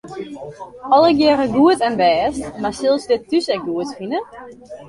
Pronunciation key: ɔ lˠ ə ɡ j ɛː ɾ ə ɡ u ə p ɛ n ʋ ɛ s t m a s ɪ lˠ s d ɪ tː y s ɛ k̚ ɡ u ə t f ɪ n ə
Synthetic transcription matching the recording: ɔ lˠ ə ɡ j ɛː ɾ ə ɡ u ə t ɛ n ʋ ɛː s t m a s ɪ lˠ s d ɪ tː y s ɛ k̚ ɡ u ə t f i n ə